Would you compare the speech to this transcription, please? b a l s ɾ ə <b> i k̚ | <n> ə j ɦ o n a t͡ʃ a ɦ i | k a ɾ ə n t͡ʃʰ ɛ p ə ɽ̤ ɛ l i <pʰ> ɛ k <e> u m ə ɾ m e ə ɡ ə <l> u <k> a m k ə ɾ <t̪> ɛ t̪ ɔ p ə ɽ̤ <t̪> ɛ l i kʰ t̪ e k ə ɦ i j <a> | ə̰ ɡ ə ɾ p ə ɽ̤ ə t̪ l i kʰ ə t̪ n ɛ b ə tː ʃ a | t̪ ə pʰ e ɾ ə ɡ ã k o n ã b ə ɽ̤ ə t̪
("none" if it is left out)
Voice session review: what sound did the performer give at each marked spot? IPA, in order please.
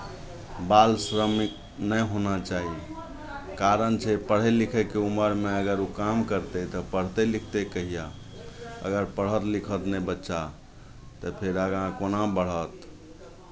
m, n, kʰ, e, ɾ, k, t̪, t̪, a

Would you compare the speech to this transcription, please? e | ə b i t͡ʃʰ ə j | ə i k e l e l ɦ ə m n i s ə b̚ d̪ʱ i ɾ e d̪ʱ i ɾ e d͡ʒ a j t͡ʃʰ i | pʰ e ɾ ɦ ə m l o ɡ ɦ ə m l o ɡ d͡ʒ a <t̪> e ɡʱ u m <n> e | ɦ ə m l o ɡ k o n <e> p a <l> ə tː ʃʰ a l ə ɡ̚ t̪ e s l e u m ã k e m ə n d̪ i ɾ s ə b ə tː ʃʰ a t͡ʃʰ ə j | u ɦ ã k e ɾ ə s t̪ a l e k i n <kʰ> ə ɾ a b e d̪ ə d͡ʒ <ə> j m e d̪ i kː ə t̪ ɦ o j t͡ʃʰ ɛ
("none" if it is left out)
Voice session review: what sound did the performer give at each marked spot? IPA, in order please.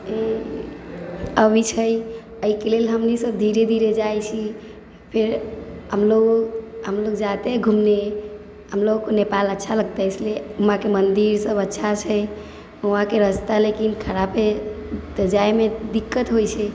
t̪, n, e, l, kʰ, a

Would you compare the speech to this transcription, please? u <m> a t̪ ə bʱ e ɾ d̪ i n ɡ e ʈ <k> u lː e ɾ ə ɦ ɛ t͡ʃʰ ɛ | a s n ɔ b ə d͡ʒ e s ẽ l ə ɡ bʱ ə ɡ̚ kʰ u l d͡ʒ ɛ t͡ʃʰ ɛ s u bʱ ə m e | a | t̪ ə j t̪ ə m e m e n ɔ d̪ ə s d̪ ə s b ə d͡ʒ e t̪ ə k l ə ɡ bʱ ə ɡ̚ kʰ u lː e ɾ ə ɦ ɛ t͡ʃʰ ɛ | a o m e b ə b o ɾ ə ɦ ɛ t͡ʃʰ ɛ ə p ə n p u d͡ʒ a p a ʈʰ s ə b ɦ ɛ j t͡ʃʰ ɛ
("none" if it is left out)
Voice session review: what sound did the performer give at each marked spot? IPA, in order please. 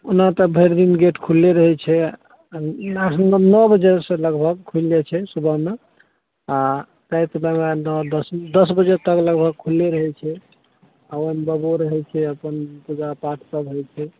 n, kʰ

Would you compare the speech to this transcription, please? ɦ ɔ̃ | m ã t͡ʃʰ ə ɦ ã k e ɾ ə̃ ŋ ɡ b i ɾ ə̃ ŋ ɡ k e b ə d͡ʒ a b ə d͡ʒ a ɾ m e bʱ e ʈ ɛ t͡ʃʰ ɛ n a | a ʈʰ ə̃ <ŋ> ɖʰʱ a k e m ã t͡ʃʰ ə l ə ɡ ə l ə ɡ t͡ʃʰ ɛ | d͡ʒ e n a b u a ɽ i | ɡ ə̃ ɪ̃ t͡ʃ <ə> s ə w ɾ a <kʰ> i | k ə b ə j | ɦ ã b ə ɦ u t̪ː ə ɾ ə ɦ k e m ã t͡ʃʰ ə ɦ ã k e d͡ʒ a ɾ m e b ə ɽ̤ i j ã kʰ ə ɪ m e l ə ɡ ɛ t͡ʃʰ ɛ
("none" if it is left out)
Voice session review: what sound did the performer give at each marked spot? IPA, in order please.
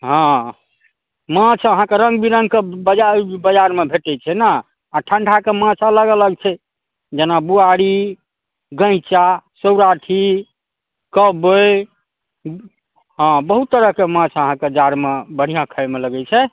ɳ, a, ʈʰ

